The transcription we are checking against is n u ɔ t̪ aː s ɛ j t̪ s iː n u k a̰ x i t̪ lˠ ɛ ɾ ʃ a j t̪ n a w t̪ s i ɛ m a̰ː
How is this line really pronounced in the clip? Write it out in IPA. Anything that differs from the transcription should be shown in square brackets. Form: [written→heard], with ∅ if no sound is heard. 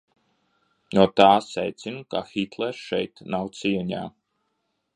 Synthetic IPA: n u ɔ t̪ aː s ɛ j t̪ s [iː→i] n u k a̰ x i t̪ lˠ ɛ ɾ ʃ [a→ɛ] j t̪ n a w t̪ s i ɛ [m→ɲ] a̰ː

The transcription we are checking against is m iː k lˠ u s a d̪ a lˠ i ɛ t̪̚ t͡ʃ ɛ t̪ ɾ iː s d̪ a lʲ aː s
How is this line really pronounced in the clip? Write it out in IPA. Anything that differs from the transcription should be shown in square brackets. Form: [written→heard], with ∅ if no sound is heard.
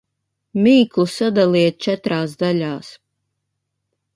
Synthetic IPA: m iː k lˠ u s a d̪ a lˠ i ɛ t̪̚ t͡ʃ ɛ t̪ ɾ [iː→aː] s d̪ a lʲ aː s

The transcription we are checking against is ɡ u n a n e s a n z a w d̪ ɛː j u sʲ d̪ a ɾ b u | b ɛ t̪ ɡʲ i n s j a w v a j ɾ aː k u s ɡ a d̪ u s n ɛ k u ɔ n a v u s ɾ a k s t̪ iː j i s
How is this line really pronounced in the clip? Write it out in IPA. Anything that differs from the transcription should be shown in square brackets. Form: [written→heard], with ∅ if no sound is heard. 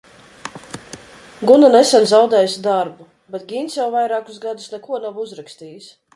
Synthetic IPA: ɡ u n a n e s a n z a w d̪ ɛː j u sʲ d̪ a ɾ b u | b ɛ t̪ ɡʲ i n s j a w v a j ɾ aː k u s ɡ a d̪ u s n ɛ k u ɔ n a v u [s→z] ɾ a k s t̪ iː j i s

